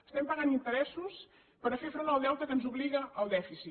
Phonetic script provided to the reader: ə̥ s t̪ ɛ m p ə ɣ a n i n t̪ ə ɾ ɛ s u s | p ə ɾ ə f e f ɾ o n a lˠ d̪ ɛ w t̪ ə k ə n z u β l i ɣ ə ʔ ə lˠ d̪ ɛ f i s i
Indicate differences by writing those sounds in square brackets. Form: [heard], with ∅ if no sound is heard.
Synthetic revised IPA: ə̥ s t̪ ɛ m p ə ɣ a n i n t̪ ə ɾ ɛ s u s | p ə ɾ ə f e f ɾ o n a lˠ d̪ ɛ w t̪ ə k ə n z u β l i ɣ ə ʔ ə lˠ d̪ ɛ f i s i